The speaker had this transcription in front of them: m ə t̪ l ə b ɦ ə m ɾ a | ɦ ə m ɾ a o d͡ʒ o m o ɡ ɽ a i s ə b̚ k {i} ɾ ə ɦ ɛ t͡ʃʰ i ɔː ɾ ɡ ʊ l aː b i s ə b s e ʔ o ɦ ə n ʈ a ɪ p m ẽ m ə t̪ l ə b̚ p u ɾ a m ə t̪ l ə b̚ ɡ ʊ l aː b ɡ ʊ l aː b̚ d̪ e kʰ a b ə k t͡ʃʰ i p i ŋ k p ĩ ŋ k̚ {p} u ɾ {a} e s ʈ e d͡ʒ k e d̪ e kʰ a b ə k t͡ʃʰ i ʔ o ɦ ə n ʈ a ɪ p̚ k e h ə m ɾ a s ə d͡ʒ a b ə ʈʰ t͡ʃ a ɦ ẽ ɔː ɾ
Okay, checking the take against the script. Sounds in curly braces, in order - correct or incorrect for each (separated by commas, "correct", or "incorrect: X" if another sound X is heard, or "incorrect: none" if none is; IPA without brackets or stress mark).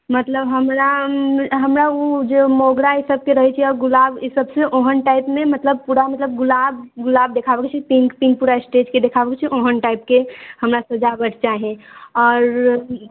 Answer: incorrect: e, correct, correct